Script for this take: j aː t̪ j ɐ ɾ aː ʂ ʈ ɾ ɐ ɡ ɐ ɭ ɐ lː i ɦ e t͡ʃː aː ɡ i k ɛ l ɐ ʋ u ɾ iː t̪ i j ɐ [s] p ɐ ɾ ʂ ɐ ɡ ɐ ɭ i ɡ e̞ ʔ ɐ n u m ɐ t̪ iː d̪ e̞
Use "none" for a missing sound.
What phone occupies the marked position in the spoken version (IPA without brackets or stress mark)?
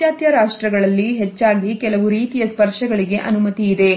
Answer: s